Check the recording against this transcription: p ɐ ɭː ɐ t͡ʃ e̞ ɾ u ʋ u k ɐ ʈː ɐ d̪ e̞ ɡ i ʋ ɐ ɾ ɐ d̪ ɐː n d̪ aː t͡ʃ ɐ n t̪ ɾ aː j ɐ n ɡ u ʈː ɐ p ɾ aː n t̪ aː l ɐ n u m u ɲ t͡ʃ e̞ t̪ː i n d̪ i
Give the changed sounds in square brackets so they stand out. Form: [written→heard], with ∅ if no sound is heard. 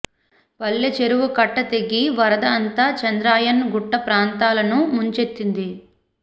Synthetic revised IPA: p ɐ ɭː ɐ t͡ʃ e̞ ɾ u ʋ u k ɐ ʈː ɐ [d̪→t̪] e̞ ɡ i ʋ ɐ ɾ ɐ d̪ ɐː n [d̪→t̪] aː t͡ʃ ɐ n [t̪→d̪] ɾ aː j ɐ n ɡ u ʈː ɐ p ɾ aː n t̪ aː l ɐ n u m u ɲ t͡ʃ e̞ t̪ː i n d̪ i